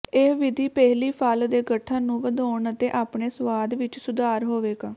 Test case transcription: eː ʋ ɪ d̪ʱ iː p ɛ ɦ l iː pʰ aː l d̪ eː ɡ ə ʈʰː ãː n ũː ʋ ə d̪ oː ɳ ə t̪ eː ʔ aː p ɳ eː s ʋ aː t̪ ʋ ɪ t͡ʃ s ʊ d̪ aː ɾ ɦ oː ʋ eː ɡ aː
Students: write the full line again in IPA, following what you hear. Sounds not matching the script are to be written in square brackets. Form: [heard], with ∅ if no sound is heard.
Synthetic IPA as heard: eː ʋ ɪ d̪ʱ iː p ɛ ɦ l iː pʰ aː l d̪ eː ɡ ə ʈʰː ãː n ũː ʋ ə d̪ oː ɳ ə t̪ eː ʔ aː p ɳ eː s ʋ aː [d̪] ʋ ɪ t͡ʃ s ʊ d̪ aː ɾ ɦ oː ʋ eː ɡ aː